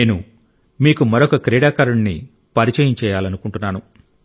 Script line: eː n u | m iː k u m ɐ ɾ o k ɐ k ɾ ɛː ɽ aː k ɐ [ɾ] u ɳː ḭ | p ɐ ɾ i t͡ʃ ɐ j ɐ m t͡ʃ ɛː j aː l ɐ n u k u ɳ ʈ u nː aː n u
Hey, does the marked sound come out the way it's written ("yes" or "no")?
yes